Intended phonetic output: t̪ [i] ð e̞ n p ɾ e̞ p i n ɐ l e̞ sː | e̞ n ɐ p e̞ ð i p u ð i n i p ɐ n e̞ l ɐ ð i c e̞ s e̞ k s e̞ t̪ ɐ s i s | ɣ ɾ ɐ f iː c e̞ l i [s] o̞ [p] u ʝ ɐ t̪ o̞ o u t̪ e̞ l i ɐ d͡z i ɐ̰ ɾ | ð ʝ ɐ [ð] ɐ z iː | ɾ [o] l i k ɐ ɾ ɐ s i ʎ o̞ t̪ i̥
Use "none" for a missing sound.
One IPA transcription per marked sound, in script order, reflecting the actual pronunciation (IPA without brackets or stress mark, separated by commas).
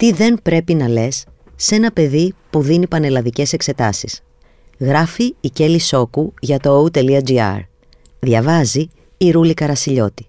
i, s, k, v, u